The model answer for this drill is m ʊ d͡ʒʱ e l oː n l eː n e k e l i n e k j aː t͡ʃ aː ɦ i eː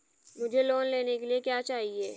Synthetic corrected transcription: m ʊ d͡ʒʱ e l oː n l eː n e k e l i e k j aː t͡ʃ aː ɦ i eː